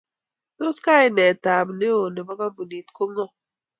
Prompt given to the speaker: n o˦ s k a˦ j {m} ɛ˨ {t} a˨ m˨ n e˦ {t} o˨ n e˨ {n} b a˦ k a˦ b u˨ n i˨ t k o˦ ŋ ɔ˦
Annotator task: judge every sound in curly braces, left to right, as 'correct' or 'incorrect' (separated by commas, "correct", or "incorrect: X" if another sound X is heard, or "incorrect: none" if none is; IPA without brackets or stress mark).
incorrect: n, correct, incorrect: none, incorrect: none